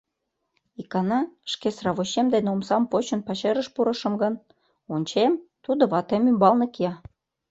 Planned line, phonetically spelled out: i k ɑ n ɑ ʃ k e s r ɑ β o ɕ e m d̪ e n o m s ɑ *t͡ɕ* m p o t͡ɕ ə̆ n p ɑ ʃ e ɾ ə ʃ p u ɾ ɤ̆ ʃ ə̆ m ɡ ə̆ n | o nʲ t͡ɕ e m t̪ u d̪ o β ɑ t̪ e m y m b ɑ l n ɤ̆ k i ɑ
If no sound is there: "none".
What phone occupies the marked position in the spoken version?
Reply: none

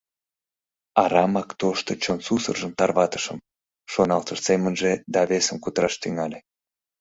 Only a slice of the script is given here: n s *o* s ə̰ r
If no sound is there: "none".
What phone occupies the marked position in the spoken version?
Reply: u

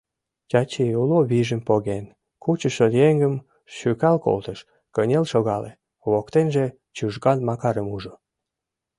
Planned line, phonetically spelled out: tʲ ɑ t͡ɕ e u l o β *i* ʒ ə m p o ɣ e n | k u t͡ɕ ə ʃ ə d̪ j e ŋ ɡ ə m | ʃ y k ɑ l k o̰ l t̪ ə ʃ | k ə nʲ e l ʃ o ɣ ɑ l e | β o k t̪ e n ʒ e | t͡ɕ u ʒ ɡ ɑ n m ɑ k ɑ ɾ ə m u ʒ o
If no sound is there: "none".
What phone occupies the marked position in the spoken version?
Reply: i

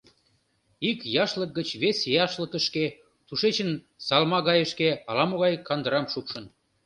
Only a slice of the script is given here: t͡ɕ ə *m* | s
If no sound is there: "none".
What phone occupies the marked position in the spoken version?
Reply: n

